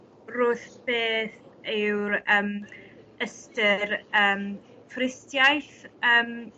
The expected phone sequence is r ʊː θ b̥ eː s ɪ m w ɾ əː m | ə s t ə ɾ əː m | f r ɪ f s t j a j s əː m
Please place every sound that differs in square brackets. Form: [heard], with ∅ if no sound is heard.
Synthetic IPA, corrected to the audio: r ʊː θ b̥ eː [θ] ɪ [∅] w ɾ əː m | ə s t ə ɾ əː m | f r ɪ [∅] s t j a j [θ] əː m